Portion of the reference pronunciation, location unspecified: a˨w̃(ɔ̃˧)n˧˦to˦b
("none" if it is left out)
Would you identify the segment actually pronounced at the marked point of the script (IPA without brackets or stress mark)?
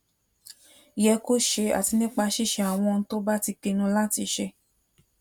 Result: ɔ̃˧